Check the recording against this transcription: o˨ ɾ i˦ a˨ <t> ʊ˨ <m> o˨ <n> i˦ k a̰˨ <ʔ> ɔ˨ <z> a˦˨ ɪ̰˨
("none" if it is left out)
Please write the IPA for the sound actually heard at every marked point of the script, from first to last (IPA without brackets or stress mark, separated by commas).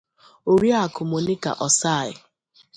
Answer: k, m, n, ʔ, s